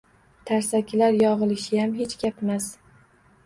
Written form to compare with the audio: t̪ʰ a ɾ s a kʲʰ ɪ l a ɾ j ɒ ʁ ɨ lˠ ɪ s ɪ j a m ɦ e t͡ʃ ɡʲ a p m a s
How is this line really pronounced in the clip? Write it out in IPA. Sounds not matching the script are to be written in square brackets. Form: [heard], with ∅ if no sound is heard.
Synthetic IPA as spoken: t̪ʰ a ɾ s a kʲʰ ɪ l a ɾ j ɒ ʁ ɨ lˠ ɪ [ʃ] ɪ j a m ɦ e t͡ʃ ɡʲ a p m a s